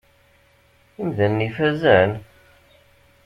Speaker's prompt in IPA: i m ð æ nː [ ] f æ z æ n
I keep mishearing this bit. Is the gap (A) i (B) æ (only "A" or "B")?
A